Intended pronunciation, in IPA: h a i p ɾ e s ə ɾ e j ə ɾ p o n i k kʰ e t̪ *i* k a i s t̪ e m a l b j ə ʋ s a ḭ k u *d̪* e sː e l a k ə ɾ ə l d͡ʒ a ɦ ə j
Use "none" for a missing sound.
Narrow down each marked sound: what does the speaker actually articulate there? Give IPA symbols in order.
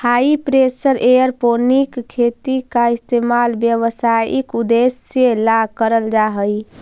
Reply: i, d̪

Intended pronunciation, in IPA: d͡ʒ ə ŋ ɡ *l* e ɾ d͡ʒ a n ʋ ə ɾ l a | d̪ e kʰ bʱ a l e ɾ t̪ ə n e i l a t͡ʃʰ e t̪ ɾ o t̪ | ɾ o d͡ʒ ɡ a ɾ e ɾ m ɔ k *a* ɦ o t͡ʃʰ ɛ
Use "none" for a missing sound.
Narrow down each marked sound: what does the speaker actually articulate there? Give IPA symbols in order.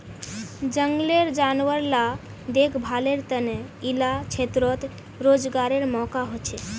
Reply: l, a

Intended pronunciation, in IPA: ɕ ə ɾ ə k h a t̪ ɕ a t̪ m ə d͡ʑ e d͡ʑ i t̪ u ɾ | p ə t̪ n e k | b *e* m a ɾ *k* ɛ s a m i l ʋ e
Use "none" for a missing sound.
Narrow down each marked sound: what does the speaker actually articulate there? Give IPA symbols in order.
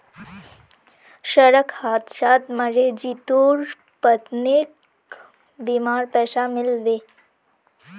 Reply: i, p

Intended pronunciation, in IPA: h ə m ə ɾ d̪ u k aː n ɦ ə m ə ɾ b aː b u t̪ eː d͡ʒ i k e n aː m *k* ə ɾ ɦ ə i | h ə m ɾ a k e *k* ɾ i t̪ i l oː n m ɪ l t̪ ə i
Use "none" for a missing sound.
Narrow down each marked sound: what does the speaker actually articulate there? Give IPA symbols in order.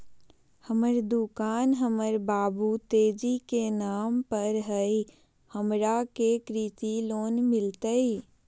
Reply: p, k

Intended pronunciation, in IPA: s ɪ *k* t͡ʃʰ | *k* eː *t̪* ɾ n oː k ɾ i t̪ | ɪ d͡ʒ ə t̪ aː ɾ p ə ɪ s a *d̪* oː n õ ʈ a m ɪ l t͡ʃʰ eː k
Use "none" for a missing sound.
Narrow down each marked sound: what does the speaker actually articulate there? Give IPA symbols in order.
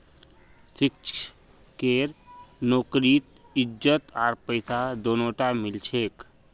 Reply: k, k, none, d̪

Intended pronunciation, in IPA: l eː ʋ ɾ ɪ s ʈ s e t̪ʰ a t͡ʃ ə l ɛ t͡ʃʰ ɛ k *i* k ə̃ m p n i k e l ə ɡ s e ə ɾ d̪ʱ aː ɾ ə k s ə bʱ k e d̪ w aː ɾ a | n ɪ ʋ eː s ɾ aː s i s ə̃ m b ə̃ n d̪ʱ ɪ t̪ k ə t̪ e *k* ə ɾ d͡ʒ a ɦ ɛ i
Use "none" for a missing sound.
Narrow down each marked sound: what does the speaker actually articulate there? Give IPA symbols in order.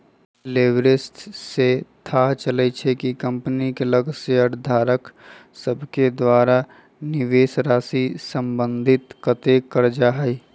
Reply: i, k

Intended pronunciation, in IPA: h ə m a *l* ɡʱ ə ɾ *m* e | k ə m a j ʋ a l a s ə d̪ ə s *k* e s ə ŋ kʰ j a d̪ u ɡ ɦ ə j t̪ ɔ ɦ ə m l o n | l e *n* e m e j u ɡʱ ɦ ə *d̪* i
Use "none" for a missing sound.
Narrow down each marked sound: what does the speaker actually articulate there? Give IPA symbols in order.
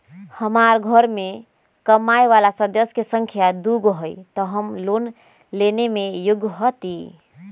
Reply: ɾ, m, k, n, t̪

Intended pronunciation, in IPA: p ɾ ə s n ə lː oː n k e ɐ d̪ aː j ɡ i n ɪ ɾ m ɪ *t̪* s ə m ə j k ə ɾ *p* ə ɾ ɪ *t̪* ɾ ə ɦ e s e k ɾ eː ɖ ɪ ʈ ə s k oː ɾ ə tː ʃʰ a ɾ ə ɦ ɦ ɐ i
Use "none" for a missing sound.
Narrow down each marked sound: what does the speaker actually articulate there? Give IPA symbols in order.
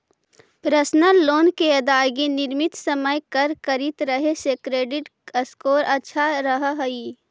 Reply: t̪, k, t̪

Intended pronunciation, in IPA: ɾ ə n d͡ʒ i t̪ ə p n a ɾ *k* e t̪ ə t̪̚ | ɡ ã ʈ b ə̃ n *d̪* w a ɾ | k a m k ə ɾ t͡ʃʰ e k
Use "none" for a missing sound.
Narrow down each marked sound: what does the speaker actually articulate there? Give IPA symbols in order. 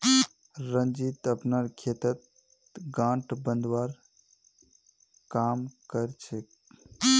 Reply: kʰ, d̪

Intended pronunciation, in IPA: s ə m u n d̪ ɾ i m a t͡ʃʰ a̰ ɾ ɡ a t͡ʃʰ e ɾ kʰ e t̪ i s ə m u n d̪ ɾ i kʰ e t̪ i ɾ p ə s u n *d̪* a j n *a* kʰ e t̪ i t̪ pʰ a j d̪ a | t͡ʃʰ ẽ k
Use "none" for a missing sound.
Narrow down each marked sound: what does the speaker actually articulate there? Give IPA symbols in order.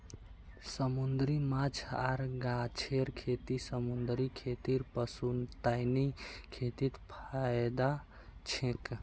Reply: t̪, i

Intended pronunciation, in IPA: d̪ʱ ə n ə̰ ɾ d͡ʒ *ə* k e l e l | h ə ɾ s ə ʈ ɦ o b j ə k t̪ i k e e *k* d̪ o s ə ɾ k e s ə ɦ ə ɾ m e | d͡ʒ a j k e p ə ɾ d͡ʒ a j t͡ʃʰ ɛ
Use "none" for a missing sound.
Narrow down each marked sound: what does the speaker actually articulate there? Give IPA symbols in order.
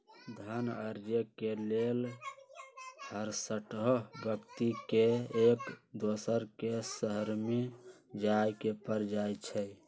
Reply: ə, k

